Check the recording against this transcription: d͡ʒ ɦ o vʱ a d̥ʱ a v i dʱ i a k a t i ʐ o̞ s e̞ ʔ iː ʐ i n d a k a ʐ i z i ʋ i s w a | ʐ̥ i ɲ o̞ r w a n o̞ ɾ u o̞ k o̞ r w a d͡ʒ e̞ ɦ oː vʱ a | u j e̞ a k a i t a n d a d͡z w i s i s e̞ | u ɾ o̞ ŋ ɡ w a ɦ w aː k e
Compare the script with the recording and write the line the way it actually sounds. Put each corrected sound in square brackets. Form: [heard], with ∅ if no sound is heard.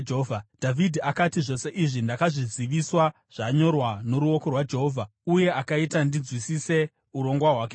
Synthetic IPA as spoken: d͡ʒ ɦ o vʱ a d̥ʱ a v i dʱ i a k a t i ʐ o̞ s e̞ ʔ [i] ʐ i n d a k a ʐ i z i ʋ i s w a | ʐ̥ [a] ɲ o̞ r w a n o̞ ɾ u o̞ k o̞ r w a d͡ʒ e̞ ɦ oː vʱ a | u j e̞ a k a i t a n d [i] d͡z w i s i s e̞ | u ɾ o̞ ŋ ɡ w a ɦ w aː k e